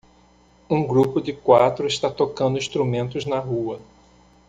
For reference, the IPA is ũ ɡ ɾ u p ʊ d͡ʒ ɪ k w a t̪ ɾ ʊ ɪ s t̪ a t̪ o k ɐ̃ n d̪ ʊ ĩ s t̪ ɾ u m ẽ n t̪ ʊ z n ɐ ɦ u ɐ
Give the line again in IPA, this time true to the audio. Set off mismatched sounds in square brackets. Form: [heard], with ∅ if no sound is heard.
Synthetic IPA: ũ ɡ ɾ u p ʊ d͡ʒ ɪ k w a t̪ ɾ ʊ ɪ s t̪ a t̪ o k ɐ̃ n d̪ ʊ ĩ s t̪ ɾ u m ẽ n t̪ ʊ z n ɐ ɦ u ɐ